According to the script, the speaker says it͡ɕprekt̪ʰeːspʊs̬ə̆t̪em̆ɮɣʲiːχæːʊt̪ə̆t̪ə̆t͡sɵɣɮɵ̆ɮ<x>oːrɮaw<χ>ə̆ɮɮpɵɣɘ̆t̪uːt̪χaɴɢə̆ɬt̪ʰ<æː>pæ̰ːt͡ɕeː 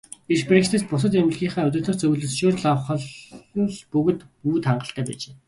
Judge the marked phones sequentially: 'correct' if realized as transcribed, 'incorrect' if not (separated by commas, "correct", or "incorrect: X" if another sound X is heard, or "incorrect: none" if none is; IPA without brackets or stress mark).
incorrect: ʃ, correct, correct